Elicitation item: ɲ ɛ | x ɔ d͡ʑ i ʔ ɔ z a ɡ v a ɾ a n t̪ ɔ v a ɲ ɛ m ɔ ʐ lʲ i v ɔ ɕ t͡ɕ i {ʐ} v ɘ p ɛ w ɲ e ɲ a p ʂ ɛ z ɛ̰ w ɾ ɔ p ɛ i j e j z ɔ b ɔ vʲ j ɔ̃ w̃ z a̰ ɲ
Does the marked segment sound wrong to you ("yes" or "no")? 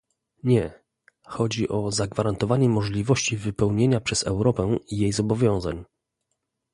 yes